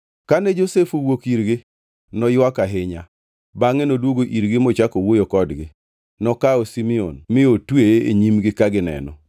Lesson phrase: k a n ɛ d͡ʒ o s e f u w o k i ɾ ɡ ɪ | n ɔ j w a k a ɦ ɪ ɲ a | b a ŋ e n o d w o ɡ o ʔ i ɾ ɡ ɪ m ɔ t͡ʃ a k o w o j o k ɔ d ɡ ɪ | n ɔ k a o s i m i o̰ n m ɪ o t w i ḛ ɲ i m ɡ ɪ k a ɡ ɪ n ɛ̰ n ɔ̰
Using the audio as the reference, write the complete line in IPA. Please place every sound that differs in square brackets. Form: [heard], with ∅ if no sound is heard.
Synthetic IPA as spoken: k a n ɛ d͡ʒ o s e f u w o k i ɾ ɡ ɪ | n ɔ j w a k a ɦ ɪ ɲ a | b a ŋ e n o d w o ɡ o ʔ i ɾ ɡ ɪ m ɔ t͡ʃ a k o w o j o k ɔ d ɡ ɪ | n ɔ k a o s i m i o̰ n m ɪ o t w [e] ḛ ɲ i m ɡ ɪ k a ɡ ɪ n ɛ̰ n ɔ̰